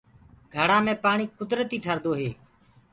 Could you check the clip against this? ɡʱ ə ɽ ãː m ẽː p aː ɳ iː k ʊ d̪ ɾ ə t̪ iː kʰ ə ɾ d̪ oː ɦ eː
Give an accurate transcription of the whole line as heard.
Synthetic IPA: ɡʱ ə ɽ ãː m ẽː p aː ɳ iː k ʊ d̪ ɾ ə t̪ iː ʈʰ ə ɾ d̪ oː ɦ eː